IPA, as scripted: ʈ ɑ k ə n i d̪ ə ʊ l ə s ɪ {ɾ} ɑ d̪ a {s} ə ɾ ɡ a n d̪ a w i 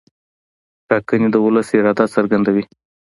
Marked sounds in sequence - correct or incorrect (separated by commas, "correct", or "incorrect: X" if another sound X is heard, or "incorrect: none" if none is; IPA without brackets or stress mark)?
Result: correct, correct